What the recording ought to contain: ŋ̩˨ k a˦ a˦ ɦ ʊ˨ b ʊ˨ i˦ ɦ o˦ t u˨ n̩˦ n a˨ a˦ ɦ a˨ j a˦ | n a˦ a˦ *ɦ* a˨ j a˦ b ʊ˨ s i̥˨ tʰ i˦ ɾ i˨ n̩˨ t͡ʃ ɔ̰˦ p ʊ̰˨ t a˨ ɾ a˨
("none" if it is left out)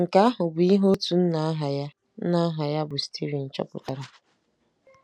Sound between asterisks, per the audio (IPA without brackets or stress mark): ɦ